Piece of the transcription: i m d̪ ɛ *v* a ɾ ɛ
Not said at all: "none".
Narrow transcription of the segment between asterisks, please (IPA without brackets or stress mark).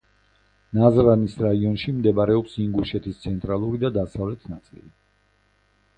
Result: b